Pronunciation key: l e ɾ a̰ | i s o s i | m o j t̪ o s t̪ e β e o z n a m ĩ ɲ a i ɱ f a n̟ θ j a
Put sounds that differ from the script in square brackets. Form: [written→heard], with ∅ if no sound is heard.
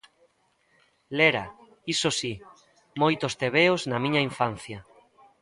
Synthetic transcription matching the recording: l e ɾ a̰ | i s o s i | m o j t̪ o s t̪ e β e o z n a m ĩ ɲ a i ɱ f a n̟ θ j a